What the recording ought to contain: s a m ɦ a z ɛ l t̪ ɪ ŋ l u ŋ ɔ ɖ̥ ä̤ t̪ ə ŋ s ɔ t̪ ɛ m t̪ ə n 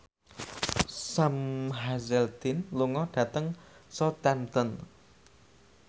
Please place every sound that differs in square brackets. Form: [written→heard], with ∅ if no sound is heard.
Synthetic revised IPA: s a m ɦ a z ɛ l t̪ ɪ [ŋ→n] l u ŋ ɔ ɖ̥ ä̤ t̪ ə ŋ s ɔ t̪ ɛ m t̪ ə n